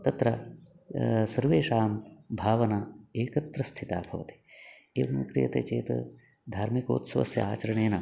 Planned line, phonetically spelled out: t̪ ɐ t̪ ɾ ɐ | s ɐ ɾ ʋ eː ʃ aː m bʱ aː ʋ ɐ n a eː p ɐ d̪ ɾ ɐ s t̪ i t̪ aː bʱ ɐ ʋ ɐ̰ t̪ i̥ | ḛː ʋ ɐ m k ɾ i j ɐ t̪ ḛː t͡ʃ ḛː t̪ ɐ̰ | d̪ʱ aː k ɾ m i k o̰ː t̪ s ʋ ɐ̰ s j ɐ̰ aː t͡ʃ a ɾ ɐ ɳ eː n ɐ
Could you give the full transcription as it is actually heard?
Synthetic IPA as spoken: t̪ ɐ t̪ ɾ ɐ | s ɐ ɾ ʋ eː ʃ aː m bʱ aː ʋ ɐ n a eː k ɐ t̪ ɾ ɐ s t̪ʰ i t̪ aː bʱ ɐ ʋ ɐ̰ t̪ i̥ | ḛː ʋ ɐ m k ɾ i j ɐ t̪ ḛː t͡ʃ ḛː t̪ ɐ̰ | d̪ʱ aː ɾ m i k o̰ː t̪ s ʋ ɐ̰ s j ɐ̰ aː t͡ʃ ɐ ɾ ɐ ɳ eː n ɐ